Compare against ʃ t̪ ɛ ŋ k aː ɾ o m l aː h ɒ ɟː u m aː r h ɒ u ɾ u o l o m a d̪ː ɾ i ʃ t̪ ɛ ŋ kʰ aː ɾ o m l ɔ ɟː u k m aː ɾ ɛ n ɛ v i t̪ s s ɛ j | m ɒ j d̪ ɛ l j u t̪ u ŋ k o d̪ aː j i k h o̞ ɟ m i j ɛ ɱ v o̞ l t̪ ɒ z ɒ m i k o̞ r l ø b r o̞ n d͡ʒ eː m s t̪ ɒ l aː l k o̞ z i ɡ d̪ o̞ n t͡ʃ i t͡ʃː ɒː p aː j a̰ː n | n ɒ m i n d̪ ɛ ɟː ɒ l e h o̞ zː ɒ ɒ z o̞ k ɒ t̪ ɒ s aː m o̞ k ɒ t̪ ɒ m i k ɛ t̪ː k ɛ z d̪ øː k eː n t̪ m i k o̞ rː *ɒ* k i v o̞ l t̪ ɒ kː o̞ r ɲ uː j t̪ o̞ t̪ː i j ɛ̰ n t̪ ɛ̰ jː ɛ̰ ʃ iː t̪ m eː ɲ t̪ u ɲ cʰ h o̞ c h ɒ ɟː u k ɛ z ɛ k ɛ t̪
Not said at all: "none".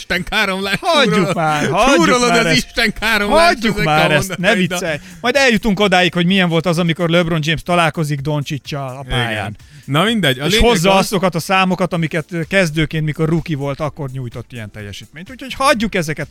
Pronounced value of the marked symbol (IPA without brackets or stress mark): u